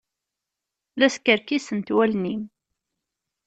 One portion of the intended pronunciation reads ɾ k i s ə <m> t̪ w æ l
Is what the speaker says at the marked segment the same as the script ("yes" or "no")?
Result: no